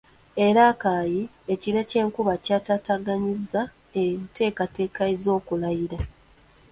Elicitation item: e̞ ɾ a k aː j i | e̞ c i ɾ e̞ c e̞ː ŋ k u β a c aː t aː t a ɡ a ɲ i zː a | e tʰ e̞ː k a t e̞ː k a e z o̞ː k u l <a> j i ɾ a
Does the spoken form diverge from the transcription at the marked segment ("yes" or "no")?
no